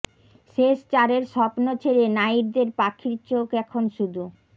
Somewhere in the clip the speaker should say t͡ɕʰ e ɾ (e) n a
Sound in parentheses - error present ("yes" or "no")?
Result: no